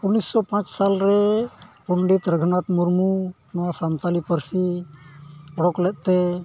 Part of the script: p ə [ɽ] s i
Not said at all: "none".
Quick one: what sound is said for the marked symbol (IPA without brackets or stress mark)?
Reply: ɾ